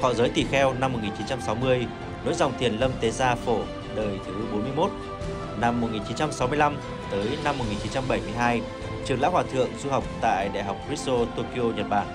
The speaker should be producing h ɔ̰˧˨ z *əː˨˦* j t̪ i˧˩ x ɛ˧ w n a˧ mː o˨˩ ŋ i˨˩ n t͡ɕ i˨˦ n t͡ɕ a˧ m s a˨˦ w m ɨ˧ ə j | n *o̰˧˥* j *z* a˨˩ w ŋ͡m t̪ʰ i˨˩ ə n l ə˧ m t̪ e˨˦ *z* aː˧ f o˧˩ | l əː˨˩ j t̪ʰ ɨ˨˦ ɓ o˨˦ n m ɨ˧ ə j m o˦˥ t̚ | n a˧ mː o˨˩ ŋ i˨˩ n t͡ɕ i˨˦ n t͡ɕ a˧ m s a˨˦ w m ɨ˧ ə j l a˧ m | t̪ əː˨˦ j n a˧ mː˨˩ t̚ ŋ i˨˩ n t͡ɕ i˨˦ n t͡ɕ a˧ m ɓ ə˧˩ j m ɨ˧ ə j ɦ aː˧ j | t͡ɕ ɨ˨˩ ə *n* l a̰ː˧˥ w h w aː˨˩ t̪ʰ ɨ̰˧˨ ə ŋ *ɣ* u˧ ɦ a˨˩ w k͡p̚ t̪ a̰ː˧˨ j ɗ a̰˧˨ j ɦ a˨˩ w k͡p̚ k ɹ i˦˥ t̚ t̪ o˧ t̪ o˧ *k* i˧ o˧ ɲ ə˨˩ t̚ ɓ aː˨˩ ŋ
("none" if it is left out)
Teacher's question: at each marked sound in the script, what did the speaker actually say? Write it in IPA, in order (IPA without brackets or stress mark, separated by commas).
əː˨˦, o̰˧˥, z, z, ŋ, z, k